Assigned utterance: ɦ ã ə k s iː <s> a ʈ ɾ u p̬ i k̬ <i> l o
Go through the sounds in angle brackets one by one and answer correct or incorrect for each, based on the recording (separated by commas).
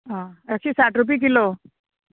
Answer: correct, correct